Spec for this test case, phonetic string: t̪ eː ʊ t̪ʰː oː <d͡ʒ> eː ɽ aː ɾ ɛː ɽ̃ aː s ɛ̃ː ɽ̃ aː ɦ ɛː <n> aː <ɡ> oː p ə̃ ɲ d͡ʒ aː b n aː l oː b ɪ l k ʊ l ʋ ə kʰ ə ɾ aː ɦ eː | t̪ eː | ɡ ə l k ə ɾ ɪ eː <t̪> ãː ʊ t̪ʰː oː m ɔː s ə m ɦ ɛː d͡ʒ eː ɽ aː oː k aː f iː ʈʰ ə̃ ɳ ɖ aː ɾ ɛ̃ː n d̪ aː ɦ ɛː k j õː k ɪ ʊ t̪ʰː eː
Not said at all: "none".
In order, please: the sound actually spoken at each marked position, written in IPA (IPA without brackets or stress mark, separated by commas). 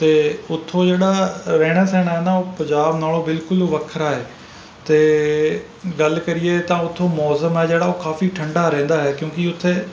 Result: d͡ʒ, n, none, t̪